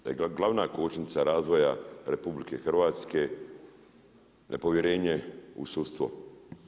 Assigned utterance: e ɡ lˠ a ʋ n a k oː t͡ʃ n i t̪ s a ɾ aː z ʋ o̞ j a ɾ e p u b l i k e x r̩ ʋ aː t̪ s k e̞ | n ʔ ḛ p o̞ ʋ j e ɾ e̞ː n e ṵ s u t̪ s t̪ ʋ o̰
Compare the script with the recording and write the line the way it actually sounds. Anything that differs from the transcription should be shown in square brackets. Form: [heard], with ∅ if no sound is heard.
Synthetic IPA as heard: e ɡ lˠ a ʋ n a k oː t͡ʃ n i t̪ s a ɾ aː z ʋ o̞ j a ɾ e p u b l i k e x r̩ ʋ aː t̪ s k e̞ | n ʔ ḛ p o̞ ʋ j e ɾ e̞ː [ɲ] e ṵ s u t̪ s t̪ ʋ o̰

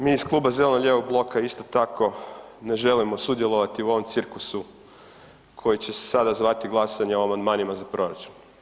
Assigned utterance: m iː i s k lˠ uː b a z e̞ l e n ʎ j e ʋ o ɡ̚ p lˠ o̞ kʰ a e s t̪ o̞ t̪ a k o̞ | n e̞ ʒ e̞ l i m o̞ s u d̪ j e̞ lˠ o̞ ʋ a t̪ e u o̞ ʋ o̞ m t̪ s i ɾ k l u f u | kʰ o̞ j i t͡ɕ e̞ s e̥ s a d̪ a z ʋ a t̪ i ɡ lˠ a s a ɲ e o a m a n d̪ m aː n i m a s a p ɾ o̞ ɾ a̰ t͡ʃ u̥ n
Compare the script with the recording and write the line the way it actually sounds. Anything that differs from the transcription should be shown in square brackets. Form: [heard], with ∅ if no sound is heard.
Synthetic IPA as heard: m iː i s k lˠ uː b a z e̞ l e n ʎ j e ʋ o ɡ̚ [b] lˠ o̞ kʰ a [i] s t̪ o̞ t̪ a k o̞ | n e̞ ʒ e̞ l i m o̞ s u d̪ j e̞ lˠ o̞ ʋ a t̪ [i] u o̞ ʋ o̞ m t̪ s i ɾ k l u [s] u | kʰ o̞ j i t͡ɕ e̞ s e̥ s a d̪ a z ʋ a t̪ i ɡ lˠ a s a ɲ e o a m a n d̪ m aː n i m a [z] a p ɾ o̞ ɾ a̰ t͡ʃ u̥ n

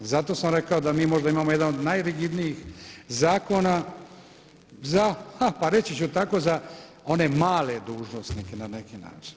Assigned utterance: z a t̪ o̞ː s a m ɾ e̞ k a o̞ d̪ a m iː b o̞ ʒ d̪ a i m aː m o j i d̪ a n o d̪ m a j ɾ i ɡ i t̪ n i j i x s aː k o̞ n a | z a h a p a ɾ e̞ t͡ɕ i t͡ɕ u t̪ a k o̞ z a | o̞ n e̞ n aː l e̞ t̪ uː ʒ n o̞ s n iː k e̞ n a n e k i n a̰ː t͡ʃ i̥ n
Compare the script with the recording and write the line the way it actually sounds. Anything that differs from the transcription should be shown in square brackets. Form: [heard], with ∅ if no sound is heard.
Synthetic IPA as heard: z a t̪ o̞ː s a m ɾ e̞ k a o̞ d̪ a m iː [m] o̞ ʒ d̪ a i m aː m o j [e] d̪ a n o d̪ [n] a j ɾ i ɡ i [d̪] n i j i x [z] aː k o̞ n a | z a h a p a ɾ e̞ t͡ɕ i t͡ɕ u t̪ a k o̞ z a | o̞ n e̞ [m] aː l e̞ [d̪] uː ʒ n o̞ s n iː k e̞ n a n e k i n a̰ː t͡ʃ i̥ n

